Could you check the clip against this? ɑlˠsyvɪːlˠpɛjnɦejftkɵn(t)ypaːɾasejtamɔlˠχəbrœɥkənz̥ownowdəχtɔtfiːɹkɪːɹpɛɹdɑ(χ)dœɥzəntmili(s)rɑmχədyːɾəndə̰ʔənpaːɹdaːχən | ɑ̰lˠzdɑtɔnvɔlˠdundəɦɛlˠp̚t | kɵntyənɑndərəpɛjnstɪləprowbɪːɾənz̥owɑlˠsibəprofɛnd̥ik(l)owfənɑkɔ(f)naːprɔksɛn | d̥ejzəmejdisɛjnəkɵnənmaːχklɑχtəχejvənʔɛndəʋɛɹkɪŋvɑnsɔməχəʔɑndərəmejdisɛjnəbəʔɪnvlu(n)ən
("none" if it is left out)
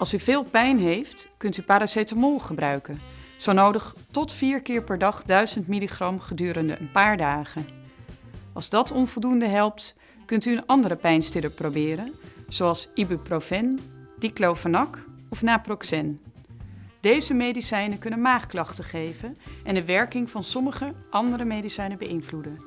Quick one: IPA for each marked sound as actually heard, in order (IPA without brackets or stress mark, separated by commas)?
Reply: t, χ, χ, l, f, d